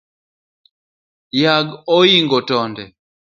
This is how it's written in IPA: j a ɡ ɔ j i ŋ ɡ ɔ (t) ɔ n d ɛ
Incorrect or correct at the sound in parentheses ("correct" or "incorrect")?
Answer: correct